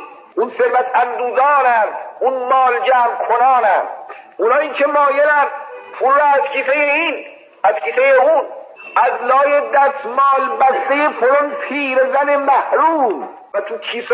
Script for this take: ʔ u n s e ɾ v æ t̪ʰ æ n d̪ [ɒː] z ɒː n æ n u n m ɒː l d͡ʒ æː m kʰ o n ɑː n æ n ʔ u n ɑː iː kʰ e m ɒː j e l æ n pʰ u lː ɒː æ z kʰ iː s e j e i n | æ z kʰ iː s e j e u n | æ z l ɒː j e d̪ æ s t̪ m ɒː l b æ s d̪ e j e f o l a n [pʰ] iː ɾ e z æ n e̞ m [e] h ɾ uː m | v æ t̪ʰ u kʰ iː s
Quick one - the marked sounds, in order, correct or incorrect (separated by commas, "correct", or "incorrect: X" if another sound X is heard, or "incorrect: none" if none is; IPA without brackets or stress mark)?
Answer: incorrect: uː, correct, incorrect: æ